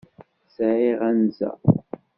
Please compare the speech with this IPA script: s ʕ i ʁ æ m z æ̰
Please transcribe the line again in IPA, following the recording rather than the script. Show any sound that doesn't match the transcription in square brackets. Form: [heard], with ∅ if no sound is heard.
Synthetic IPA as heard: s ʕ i ʁ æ [n] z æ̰